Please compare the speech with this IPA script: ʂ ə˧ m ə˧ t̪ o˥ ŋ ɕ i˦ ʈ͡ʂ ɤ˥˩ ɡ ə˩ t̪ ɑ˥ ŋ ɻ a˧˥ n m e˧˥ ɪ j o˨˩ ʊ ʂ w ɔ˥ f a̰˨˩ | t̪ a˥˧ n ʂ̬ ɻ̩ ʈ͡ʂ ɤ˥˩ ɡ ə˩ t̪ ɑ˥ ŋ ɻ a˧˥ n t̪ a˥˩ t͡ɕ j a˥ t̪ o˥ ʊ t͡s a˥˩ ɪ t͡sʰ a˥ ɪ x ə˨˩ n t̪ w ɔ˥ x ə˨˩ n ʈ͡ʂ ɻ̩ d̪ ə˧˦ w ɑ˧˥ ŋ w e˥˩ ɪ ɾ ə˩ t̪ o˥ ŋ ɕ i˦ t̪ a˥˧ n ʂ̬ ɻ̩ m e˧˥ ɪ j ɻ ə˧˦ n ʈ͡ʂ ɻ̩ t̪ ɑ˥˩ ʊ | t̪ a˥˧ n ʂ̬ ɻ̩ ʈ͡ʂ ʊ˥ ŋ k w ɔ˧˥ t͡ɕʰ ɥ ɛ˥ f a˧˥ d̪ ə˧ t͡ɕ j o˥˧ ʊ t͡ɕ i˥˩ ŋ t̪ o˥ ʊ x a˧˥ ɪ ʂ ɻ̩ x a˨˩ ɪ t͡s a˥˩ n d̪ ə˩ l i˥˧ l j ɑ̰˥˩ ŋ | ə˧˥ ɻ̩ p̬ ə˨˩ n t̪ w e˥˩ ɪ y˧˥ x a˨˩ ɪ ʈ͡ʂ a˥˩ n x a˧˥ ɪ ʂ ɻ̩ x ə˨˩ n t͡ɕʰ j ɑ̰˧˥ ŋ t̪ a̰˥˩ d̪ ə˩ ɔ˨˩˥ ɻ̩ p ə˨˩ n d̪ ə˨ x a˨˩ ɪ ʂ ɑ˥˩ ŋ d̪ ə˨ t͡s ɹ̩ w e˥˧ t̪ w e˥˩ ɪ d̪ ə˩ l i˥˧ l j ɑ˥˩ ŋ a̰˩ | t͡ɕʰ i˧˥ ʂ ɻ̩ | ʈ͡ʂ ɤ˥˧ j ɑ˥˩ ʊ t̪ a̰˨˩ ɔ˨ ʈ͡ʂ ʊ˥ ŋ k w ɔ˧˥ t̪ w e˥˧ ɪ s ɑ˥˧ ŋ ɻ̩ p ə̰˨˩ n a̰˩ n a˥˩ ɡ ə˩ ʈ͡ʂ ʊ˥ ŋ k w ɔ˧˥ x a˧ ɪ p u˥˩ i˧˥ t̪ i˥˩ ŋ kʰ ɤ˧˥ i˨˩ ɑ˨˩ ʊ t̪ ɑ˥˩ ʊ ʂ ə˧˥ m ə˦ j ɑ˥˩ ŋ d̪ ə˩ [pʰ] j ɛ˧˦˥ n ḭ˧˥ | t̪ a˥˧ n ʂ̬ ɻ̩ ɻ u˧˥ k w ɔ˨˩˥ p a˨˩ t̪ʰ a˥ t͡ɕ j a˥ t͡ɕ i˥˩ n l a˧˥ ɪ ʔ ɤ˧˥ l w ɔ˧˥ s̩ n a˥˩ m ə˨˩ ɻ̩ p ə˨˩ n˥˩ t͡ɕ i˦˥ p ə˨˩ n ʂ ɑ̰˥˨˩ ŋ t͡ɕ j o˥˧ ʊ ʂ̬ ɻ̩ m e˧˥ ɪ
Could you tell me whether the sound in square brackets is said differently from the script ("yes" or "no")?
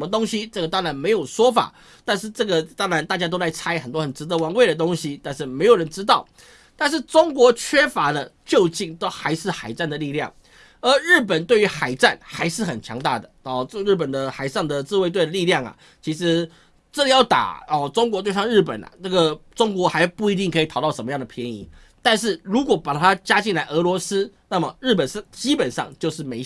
no